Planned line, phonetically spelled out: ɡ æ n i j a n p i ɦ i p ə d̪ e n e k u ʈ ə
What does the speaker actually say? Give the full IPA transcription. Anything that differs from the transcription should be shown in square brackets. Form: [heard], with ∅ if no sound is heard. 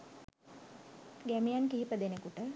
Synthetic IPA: ɡ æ [m] i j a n [k] i ɦ i p ə d̪ e n e k u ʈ ə